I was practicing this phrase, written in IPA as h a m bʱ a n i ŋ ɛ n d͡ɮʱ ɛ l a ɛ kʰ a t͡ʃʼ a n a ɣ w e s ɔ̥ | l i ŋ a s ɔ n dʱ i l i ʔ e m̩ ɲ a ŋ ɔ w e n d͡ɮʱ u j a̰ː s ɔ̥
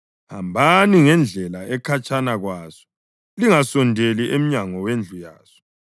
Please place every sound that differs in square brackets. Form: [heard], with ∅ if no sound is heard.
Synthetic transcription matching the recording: h a m bʱ a n i ŋ ɛ n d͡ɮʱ ɛ l a ɛ kʰ a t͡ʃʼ a n a ɣ w [a] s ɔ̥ | l i ŋ a s ɔ n dʱ [e] l i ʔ e m̩ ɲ a ŋ ɔ w e n d͡ɮʱ u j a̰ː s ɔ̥

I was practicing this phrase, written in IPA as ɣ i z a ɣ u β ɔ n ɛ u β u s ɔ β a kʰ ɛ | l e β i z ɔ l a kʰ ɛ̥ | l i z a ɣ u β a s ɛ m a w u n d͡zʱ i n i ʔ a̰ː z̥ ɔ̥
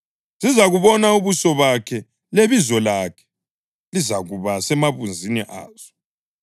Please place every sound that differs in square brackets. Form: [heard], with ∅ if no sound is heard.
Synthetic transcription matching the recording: [z] i z a ɣ u β ɔ n [a] u β u s ɔ β a kʰ ɛ | l e β i z ɔ l a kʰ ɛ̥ | l i z a ɣ u β a s ɛ m a [β] u n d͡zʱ i n i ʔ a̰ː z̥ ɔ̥

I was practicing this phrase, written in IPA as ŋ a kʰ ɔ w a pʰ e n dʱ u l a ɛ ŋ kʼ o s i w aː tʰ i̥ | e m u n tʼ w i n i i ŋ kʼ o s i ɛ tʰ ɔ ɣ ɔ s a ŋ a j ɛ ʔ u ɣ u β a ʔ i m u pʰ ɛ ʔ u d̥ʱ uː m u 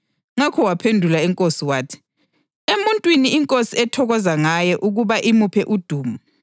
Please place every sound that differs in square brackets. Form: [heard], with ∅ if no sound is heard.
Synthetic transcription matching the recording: ŋ a kʰ ɔ w a pʰ e n dʱ u l a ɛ ŋ kʼ o s i w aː tʰ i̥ | e m u n tʼ w i n i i ŋ kʼ o s i ɛ tʰ ɔ ɣ ɔ [z] a ŋ a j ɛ ʔ u ɣ u β a ʔ i m u pʰ ɛ ʔ u d̥ʱ uː m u

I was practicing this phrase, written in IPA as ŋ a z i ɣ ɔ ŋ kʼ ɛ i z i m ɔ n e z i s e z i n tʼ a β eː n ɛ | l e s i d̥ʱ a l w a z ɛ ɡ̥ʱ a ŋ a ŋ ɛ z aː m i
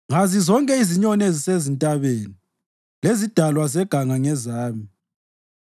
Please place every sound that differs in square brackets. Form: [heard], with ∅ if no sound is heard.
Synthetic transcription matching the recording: ŋ a z i [z] ɔ ŋ kʼ ɛ i z i [ɲ] ɔ n e z i s e z i n tʼ a β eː n [i] | l e [z] i d̥ʱ a l w a z ɛ ɡ̥ʱ a ŋ a ŋ ɛ z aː m i

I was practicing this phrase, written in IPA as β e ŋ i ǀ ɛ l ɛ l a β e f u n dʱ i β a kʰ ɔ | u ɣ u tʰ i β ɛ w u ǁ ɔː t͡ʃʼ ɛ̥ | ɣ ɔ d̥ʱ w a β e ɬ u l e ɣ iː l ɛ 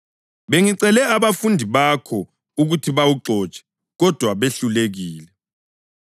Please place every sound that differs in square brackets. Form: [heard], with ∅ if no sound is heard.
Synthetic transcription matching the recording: β e ŋ i ǀ ɛ l ɛ [∅] a β [a] f u n dʱ i β a kʰ ɔ | u ɣ u tʰ i β [a] w u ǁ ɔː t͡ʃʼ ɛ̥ | ɣ ɔ d̥ʱ w a β e ɬ u l e ɣ iː l ɛ

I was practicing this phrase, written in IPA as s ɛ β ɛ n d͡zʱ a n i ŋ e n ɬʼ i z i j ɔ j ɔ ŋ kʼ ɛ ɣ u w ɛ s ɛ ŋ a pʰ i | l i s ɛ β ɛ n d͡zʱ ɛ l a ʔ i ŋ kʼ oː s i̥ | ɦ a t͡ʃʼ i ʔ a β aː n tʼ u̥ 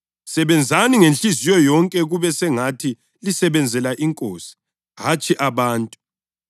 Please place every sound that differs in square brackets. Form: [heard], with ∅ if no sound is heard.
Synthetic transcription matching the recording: s ɛ β ɛ n d͡zʱ a n i ŋ e n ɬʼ i z i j ɔ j ɔ ŋ kʼ ɛ ɣ u [β] ɛ s ɛ ŋ a [tʰ] i | l i s ɛ β ɛ n d͡zʱ ɛ l a ʔ i ŋ kʼ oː s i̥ | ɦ a t͡ʃʼ i ʔ a β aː n tʼ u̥

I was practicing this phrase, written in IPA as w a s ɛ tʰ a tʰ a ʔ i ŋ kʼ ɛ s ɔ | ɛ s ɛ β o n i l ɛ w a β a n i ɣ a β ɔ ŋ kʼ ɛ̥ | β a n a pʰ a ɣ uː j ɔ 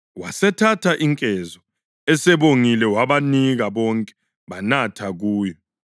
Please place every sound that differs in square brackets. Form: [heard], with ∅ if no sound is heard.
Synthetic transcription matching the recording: w a s ɛ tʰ a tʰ a ʔ i ŋ kʼ ɛ [z] ɔ | ɛ s ɛ β o [ŋ] i l ɛ w a β a n i ɣ a β ɔ ŋ kʼ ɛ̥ | β a n a [tʰ] a ɣ uː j ɔ

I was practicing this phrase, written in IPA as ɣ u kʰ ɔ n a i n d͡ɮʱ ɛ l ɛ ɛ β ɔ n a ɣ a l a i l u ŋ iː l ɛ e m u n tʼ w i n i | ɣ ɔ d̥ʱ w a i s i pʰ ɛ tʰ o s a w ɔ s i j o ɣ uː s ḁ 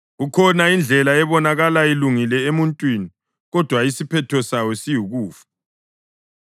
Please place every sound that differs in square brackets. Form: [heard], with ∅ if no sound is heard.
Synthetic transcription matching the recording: ɣ u kʰ ɔ n a i n d͡ɮʱ ɛ l [a] ɛ β ɔ n a ɣ a l a i l u ŋ [i] l ɛ e m u n tʼ w i n i | ɣ ɔ d̥ʱ w a i s i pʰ ɛ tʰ [ɔ] s a w ɔ s i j [u] ɣ uː [f] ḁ

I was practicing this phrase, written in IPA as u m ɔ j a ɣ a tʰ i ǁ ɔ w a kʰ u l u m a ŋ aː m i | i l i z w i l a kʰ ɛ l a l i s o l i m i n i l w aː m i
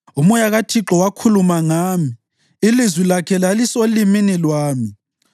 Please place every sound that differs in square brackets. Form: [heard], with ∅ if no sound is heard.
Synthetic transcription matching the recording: u m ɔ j a ɣ a tʰ i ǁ ɔ w a kʰ u l u m a ŋ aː m i | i l i z w i l a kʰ ɛ l a l i s o l i m i n i l w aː m i

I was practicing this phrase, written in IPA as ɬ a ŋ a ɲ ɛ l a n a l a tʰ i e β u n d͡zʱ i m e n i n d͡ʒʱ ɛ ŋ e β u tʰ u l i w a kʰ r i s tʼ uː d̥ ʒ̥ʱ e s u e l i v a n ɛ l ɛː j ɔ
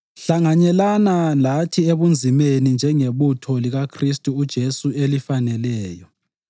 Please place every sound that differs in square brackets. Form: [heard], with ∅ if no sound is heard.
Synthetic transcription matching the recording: ɬ a ŋ a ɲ ɛ l a n a l a tʰ i e β u n d͡zʱ i m e n i n d͡ʒʱ ɛ ŋ e β u tʰ [ɔ] l i [ɣ] a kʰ r i s tʼ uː d̥ ʒ̥ʱ e s u e l i [f] a n ɛ l ɛː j ɔ

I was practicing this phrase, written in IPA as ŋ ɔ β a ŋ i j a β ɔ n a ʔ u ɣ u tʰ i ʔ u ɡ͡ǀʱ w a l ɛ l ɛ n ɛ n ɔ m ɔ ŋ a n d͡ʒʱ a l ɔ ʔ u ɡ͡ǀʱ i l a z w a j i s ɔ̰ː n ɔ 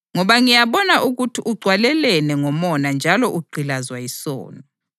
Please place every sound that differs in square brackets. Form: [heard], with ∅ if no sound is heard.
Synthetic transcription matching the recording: ŋ ɔ β a ŋ i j a β ɔ n a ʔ u ɣ u tʰ i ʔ u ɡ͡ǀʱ w a l ɛ l ɛ n ɛ [ŋ] ɔ m ɔ [n] a n d͡ʒʱ a l ɔ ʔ u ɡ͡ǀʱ i l a z w a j i s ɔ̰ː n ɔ

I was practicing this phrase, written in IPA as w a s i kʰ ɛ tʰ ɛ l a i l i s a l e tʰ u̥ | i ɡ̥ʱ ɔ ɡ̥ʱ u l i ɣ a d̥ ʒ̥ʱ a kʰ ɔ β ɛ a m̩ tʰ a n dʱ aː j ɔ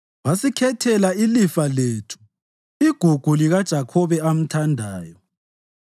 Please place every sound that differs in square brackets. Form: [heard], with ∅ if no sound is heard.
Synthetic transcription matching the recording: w a s i kʰ ɛ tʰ ɛ l a i l i [f] a l e tʰ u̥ | i ɡ̥ʱ [u] ɡ̥ʱ u l i ɣ a d̥ ʒ̥ʱ a kʰ ɔ β ɛ a m̩ tʰ a n dʱ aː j ɔ

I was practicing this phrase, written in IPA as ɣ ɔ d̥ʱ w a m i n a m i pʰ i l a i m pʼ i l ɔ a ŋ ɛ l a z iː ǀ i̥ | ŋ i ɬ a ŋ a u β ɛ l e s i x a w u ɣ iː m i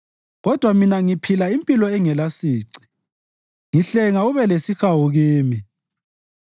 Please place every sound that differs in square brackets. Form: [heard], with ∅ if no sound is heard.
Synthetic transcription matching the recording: ɣ ɔ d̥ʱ w a m i n a [ŋ] i pʰ i l a i m pʼ i l ɔ [ɛ] ŋ ɛ l a [s] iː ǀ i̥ | ŋ i ɬ [ɛ] ŋ a u β ɛ l e s i x a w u ɣ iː m i

